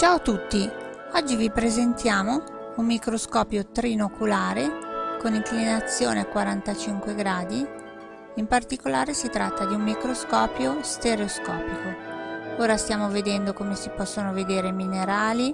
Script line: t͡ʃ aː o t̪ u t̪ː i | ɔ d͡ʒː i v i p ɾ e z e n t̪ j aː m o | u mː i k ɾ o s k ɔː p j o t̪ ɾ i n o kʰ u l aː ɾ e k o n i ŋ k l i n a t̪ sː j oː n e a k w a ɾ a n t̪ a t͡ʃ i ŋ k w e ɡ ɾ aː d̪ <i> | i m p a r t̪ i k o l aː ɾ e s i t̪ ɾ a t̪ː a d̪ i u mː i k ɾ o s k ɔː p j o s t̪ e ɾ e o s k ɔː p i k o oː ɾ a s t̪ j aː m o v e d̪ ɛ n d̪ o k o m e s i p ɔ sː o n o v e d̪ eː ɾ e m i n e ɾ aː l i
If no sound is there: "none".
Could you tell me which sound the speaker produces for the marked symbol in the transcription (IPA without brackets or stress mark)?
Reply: i